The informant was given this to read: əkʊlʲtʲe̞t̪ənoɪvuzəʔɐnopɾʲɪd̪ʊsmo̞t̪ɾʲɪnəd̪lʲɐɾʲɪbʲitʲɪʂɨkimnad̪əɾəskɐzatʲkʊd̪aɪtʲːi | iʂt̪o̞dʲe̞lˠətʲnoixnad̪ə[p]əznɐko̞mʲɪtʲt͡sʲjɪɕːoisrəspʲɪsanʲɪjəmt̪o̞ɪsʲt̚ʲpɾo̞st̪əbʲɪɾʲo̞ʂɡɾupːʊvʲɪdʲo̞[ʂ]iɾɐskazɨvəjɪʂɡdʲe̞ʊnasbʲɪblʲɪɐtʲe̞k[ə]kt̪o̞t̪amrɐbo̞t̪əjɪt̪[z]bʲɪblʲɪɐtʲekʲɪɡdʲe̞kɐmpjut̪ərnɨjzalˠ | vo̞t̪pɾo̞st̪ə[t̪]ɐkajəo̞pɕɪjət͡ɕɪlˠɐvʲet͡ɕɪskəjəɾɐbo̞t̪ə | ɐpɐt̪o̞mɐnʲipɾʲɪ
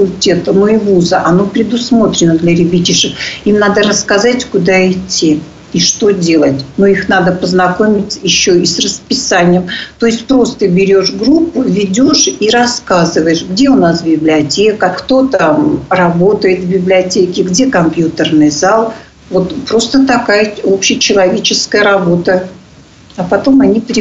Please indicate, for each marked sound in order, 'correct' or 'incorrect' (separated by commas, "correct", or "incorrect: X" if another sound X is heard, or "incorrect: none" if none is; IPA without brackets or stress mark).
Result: correct, correct, correct, incorrect: v, correct